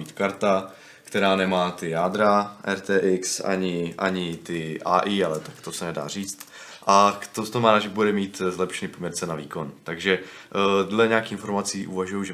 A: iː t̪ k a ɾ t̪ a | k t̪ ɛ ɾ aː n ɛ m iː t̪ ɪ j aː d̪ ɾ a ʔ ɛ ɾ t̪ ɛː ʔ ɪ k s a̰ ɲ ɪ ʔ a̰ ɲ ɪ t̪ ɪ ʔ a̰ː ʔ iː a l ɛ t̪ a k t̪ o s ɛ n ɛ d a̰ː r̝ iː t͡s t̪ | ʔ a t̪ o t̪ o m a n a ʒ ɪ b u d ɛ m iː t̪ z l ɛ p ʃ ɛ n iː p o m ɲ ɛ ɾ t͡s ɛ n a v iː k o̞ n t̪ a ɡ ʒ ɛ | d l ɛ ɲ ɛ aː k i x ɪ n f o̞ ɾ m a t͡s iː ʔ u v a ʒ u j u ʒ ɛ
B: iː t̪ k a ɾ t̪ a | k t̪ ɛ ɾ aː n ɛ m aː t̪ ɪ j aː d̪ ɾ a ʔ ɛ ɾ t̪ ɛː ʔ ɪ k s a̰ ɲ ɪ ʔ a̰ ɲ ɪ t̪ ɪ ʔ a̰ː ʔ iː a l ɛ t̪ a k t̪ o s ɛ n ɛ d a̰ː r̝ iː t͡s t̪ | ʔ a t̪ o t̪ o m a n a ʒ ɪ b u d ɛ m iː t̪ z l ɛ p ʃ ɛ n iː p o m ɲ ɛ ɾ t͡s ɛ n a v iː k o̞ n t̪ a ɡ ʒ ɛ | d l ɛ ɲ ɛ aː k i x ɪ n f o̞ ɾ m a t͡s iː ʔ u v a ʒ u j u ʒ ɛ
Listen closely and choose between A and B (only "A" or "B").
B